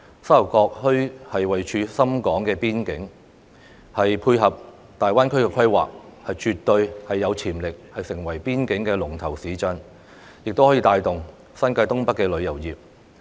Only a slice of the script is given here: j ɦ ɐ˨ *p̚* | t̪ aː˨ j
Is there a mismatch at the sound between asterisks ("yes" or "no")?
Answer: no